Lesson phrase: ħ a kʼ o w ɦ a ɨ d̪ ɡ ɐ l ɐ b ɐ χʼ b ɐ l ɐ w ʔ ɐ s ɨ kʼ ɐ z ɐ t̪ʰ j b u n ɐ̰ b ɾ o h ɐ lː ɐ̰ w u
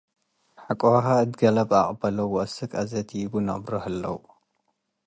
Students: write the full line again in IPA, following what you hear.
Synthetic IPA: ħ a kʼ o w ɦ a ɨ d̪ ɡ ɐ l ɐ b a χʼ b ɐ l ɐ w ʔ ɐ s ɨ kʼ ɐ z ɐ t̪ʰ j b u n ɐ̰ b ɾ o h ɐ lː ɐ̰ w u